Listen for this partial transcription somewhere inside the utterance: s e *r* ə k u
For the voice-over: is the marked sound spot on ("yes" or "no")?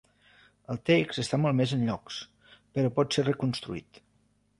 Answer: yes